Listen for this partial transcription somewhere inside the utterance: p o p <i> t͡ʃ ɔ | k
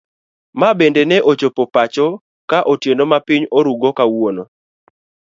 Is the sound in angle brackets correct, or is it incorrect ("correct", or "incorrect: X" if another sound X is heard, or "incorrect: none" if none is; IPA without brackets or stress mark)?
incorrect: a